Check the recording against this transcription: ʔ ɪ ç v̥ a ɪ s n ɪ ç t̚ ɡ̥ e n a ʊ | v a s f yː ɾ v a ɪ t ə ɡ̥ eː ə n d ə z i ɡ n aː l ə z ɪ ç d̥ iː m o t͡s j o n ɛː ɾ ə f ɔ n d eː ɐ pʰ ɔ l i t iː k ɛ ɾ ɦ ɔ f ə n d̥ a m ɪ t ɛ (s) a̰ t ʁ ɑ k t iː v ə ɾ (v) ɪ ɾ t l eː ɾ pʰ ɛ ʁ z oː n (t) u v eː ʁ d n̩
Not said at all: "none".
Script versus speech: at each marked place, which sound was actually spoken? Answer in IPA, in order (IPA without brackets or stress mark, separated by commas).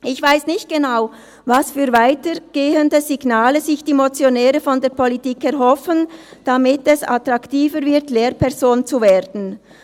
s, v, t͡s